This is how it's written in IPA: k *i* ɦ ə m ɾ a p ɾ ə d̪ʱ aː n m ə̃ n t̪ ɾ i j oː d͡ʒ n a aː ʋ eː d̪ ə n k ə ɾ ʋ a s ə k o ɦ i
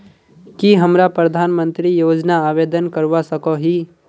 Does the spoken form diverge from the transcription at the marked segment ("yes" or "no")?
no